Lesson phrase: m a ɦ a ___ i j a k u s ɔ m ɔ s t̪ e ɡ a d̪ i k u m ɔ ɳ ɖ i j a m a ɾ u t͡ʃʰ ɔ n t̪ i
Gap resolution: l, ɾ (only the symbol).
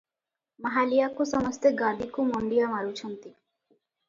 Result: l